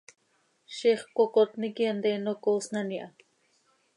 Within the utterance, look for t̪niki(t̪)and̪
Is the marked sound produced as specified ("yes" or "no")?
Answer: no